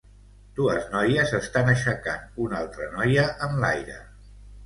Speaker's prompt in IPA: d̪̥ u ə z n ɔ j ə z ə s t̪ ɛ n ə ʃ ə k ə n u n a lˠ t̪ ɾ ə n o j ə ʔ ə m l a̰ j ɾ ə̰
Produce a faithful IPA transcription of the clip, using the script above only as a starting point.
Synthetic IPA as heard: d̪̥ u ə z n ɔ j ə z ə s t̪ a n ə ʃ ə k a n u n a lˠ t̪ ɾ ə n ɔ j ə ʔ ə m l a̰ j ɾ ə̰